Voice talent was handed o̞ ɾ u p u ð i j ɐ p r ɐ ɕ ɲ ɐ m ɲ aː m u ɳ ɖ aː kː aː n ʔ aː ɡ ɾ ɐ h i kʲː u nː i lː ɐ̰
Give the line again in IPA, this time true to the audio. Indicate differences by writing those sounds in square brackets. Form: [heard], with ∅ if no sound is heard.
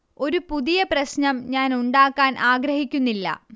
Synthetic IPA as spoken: o̞ ɾ u p u ð i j ɐ p r ɐ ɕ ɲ ɐ m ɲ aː [n] u ɳ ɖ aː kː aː n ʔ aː ɡ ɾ ɐ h i kʲː u nː i lː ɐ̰